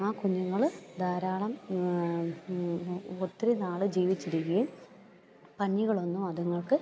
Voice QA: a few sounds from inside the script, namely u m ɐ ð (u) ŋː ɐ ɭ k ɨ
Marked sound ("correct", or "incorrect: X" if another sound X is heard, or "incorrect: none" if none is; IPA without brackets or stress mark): correct